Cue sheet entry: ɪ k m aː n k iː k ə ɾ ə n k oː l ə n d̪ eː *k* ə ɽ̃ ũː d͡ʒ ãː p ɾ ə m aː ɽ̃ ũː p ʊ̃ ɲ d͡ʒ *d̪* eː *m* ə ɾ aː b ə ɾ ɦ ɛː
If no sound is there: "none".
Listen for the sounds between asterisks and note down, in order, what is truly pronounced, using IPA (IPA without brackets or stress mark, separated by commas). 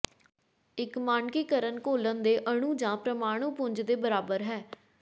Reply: ʔ, d̪, b